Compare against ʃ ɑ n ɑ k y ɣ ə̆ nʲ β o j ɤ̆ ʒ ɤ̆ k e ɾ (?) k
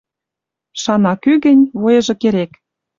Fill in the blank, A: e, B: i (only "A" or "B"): A